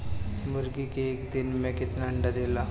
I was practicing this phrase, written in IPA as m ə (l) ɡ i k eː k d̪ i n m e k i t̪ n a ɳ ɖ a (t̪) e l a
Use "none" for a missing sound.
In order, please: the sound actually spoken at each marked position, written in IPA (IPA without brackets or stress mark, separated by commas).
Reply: ɾ, d̪